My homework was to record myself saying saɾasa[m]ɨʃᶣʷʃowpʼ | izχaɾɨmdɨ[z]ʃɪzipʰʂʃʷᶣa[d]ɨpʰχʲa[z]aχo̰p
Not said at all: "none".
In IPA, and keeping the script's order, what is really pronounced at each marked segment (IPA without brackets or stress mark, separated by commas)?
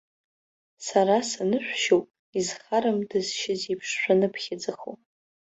n, z, n, d͡z